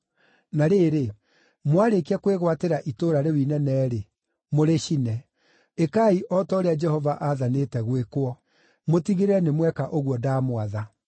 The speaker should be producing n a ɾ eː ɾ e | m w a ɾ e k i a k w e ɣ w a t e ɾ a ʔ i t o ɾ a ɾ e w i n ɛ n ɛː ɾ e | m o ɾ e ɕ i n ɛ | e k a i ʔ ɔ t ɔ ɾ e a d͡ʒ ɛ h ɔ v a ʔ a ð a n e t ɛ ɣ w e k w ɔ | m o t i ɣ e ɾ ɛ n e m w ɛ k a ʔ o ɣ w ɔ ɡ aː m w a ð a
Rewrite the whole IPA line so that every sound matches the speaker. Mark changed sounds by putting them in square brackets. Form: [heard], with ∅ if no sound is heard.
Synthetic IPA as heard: n a ɾ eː ɾ e | m w a ɾ e k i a k w e ɣ w a t e ɾ a ʔ i t o ɾ a ɾ e w i n ɛ n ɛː ɾ e | m o ɾ e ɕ i n ɛ | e k a i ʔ ɔ t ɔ ɾ e a d͡ʒ ɛ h ɔ v a ʔ a ð a n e t ɛ ɣ w e k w ɔ | m o t i ɣ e ɾ ɛ n e m w ɛ k a ʔ o ɣ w ɔ [d] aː m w a ð a